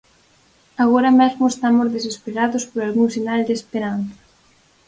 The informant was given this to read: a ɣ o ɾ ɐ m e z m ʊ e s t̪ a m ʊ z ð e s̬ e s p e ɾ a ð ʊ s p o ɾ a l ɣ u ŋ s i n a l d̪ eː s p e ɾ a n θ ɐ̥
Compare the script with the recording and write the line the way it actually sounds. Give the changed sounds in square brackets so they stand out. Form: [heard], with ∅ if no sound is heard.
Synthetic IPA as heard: a ɣ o ɾ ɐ m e z m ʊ e s t̪ a m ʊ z ð e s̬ e s p e ɾ a ð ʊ s p o ɾ a l ɣ u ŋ s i n a l d̪ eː s p e ɾ a n θ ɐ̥

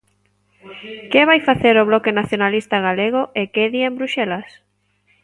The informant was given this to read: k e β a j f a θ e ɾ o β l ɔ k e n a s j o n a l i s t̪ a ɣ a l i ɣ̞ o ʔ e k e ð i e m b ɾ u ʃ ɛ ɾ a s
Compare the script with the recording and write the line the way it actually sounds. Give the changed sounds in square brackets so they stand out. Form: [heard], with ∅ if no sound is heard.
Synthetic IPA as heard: k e β a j f a θ e ɾ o β l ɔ k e n a [θ] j o n a l i s t̪ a ɣ a l [e] ɣ̞ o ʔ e k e ð i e m b ɾ u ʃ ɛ [l] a s

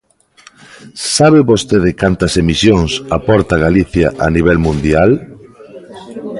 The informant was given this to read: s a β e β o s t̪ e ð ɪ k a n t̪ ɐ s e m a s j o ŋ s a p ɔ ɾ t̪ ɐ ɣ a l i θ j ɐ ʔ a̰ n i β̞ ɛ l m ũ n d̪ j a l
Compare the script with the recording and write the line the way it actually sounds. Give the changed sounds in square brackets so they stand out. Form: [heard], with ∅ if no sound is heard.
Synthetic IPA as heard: s a β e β o s t̪ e ð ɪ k a n t̪ ɐ s e m [i] s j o ŋ s a p ɔ ɾ t̪ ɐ ɣ a l i θ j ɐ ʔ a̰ n i β̞ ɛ l m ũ n d̪ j a l

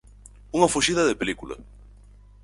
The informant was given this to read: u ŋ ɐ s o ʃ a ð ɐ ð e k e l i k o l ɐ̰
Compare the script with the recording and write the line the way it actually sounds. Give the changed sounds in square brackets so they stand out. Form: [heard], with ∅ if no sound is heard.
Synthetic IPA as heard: u ŋ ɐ [f] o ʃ [i] ð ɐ ð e [p] e l i k [u] l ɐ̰

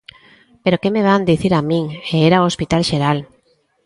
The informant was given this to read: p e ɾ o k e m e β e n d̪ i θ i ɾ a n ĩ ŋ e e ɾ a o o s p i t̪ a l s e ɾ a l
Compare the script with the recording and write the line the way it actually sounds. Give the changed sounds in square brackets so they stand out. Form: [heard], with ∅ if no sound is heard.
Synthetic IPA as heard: p e ɾ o k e m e β [a] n d̪ i θ i ɾ a [m] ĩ ŋ e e ɾ a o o s p i t̪ a l [ʃ] e ɾ a l

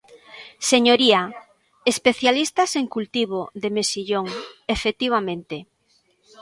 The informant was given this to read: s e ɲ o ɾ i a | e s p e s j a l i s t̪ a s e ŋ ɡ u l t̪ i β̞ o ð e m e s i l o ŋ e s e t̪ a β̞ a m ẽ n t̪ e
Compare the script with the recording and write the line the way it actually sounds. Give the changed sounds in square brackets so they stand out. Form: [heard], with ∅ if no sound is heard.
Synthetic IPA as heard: s e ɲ o ɾ i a | e s p e [θ] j a l i s t̪ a s e ŋ [k] u l t̪ i β̞ o ð e m e s i [ʎ] o ŋ e [f] e t̪ [i] β̞ a m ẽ n t̪ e

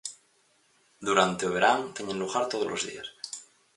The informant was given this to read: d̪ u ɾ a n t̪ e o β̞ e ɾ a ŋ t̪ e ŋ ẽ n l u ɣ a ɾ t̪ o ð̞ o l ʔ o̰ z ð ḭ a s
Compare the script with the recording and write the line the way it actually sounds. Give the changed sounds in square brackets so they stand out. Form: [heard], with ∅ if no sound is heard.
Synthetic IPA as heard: d̪ u ɾ a n t̪ e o β̞ e ɾ a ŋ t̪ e [ɲ] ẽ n l u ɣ a ɾ t̪ o ð̞ o l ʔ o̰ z ð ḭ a s

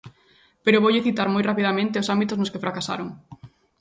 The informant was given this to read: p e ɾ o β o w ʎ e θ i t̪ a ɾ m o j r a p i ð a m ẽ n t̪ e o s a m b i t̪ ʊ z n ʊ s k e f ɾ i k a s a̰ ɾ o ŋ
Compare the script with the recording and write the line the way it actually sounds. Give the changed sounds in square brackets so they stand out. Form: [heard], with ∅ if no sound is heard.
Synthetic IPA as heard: p e ɾ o β o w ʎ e θ i t̪ a ɾ m o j r a p i ð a m ẽ n t̪ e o s a m b i t̪ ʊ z n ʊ s k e f ɾ [a] k a s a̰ ɾ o ŋ

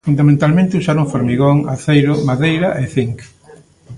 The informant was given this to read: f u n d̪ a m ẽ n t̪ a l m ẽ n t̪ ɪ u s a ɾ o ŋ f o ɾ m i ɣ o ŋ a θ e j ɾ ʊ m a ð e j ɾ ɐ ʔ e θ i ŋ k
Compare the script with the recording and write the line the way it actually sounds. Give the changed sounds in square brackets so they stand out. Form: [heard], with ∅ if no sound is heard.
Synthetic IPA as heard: f u n d̪ a m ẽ n t̪ a l m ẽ n t̪ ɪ u s a ɾ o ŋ f o ɾ m i ɣ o ŋ a θ e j ɾ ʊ m a ð e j ɾ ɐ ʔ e θ i ŋ k

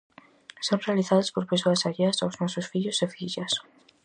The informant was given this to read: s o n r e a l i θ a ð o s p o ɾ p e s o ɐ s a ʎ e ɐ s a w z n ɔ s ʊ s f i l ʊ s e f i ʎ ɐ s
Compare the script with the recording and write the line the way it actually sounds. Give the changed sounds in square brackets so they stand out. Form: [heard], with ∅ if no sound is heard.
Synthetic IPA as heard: s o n r e a l i θ a ð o s p o ɾ p e s o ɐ s a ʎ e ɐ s a w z n ɔ s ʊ s f i [ʎ] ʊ s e f i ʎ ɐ s

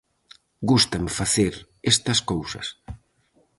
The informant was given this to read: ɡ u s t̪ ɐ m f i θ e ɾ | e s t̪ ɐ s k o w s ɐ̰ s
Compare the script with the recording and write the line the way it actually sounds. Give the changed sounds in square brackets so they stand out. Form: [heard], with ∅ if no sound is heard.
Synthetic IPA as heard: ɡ u s t̪ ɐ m f [a] θ e ɾ | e s t̪ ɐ s k o w s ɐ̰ s

